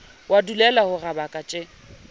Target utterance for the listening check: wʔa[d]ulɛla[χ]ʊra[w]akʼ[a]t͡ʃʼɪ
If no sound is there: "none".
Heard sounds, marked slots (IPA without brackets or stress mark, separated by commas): d, h, b, a